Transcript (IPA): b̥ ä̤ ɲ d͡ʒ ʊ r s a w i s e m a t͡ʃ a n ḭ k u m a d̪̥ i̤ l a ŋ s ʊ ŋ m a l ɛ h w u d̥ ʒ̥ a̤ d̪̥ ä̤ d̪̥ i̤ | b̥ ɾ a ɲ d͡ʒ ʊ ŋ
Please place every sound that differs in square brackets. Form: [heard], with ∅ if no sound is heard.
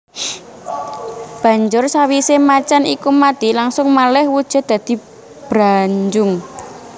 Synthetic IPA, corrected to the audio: b̥ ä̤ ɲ d͡ʒ ʊ r s a w i s e m a t͡ʃ a n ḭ k u m a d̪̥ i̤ l a ŋ s ʊ ŋ m a l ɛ h w u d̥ ʒ̥ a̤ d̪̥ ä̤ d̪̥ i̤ | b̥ ɾ a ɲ d͡ʒ ʊ ŋ